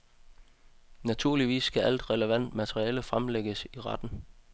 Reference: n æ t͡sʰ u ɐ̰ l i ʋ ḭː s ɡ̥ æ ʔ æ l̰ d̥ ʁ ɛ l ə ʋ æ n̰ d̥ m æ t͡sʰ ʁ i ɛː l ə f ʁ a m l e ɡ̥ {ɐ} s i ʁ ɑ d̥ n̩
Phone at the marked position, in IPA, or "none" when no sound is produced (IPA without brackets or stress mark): ə